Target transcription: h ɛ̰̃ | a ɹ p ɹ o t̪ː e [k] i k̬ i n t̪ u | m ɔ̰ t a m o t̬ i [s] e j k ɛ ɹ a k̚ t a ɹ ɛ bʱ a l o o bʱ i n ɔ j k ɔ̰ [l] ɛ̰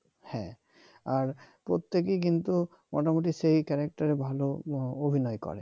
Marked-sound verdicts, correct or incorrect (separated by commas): correct, correct, incorrect